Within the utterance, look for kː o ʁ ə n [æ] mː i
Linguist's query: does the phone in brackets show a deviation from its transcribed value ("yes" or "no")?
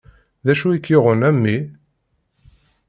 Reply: no